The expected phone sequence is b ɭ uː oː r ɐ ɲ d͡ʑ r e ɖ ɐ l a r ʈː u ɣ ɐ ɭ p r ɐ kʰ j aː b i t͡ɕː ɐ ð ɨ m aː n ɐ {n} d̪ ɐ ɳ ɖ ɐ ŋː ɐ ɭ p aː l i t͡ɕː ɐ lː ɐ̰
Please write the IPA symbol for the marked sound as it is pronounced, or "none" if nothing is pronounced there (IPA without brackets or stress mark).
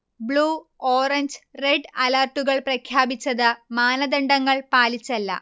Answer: none